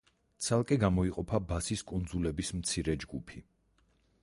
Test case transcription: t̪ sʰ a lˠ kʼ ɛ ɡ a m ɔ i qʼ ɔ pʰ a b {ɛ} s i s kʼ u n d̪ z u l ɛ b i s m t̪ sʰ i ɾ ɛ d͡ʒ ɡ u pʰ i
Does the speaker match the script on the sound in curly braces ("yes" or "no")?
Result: no